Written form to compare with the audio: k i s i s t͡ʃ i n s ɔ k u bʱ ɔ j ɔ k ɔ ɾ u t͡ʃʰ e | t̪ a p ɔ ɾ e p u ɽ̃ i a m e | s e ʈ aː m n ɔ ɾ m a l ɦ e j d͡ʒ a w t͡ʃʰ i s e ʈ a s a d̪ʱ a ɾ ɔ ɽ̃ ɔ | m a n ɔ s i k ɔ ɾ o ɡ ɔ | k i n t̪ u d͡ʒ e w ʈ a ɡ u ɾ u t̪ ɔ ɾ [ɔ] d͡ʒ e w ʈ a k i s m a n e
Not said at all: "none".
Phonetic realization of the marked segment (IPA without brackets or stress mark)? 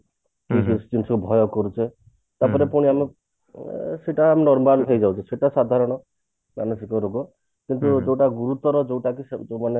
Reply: ɔ